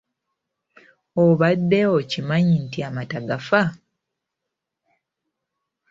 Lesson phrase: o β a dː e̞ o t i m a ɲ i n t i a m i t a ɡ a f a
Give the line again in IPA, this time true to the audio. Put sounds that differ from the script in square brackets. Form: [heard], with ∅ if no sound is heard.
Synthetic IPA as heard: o β a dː e̞ o [c] i m a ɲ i n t i a m [a] t a ɡ a f a